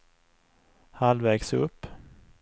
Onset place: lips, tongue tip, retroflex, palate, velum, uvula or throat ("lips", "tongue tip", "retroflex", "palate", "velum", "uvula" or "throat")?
throat